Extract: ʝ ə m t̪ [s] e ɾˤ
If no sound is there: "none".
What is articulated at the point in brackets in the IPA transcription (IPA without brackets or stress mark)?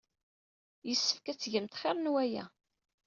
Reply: χ